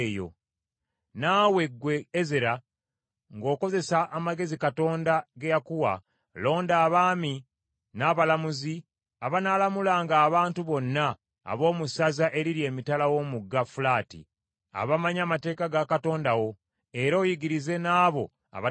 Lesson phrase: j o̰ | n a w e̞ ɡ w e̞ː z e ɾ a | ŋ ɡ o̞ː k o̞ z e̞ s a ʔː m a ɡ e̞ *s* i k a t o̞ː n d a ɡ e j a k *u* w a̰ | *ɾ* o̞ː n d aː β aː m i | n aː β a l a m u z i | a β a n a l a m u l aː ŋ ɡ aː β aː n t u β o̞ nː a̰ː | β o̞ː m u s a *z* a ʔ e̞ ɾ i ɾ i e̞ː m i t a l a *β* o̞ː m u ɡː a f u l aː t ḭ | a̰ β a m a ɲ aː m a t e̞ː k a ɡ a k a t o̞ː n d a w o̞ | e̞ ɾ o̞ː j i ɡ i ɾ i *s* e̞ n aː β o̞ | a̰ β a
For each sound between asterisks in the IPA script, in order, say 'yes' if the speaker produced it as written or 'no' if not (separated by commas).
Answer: no, yes, no, yes, no, no